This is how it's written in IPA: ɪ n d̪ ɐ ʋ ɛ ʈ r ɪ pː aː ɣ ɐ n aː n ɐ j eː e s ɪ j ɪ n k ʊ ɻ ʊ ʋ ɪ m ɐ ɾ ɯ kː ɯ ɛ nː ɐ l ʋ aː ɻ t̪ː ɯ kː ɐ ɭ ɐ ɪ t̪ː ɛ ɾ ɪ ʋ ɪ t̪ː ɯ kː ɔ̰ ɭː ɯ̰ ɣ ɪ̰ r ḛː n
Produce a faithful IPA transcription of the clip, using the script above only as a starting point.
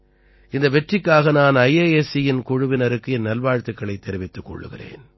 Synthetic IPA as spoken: ɪ n d̪ ɐ ʋ ɛ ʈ r ɪ kː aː ɣ ɐ n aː n ɐ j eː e s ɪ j ɪ n k ʊ ɻ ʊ ʋ ɪ n ɐ ɾ ɯ kː ɯ ɛ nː ɐ l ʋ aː ɻ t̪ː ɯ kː ɐ ɭ ɐ ɪ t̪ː ɛ ɾ ɪ ʋ ɪ t̪ː ɯ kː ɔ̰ ɭː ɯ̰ ɣ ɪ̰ r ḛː n